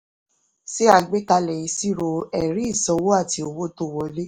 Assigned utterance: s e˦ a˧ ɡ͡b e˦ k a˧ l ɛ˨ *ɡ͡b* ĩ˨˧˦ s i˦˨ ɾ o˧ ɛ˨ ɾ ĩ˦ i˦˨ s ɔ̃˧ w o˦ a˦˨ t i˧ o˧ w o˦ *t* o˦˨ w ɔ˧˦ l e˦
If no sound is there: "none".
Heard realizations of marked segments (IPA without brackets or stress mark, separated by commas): none, t